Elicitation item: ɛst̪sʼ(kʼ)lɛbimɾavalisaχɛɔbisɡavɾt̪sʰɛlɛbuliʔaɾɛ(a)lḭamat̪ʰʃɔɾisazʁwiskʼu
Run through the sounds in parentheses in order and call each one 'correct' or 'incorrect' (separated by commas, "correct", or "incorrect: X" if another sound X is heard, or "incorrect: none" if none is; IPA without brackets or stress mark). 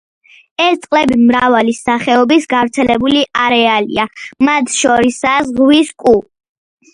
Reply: incorrect: qʼ, correct